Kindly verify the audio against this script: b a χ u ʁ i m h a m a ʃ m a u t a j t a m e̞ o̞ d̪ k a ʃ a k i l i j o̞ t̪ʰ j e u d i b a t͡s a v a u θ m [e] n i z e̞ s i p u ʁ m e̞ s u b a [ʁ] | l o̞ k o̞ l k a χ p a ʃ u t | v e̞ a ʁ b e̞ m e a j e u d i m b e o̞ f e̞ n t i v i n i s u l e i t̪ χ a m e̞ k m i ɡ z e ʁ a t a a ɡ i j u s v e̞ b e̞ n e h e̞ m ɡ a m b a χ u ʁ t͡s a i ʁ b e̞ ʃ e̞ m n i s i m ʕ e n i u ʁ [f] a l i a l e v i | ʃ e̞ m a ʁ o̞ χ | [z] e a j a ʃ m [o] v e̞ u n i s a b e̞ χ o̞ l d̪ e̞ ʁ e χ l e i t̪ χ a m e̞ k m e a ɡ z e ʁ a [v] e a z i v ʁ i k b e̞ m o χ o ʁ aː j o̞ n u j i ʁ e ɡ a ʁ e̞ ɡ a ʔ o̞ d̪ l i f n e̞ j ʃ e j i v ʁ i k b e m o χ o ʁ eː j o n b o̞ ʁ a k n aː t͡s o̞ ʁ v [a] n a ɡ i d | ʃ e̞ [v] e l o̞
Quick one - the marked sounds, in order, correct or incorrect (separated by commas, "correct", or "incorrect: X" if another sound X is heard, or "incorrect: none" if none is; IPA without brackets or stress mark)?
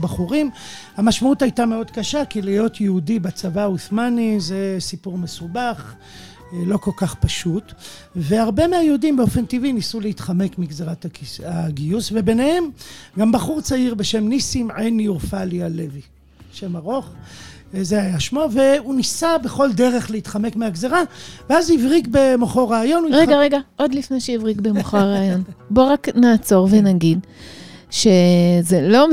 incorrect: a, incorrect: χ, correct, correct, correct, correct, incorrect: e, incorrect: z